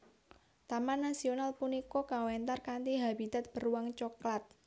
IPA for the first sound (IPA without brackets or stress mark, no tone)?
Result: t̪